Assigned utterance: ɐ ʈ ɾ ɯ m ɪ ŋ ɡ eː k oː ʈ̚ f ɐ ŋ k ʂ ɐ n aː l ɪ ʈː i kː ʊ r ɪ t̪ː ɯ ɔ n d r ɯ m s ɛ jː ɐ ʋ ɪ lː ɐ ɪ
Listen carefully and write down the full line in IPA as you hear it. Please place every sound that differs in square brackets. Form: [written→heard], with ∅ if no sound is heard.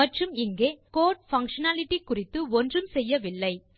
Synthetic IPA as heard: ɐ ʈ [ɾ→r] ɯ m ɪ ŋ ɡ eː k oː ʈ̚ f ɐ ŋ k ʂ ɐ n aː l ɪ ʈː i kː ʊ r ɪ t̪ː ɯ ɔ n d r ɯ m s ɛ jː ɐ ʋ ɪ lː ɐ ɪ